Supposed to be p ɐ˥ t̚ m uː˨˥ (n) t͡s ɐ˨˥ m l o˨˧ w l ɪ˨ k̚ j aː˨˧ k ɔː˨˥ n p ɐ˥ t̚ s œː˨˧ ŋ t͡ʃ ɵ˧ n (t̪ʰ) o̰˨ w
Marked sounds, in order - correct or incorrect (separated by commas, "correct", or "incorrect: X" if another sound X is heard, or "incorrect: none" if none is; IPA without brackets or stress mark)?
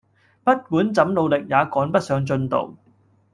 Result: correct, incorrect: t̪